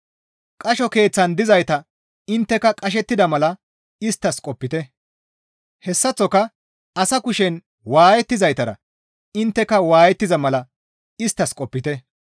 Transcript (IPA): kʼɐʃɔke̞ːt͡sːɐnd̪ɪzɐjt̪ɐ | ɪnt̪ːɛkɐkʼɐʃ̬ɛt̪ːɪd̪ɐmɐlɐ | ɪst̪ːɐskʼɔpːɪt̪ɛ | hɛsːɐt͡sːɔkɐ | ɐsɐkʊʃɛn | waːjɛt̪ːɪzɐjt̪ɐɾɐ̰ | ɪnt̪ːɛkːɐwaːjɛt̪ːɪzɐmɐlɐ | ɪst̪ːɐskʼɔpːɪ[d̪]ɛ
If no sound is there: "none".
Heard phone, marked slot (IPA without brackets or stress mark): t̪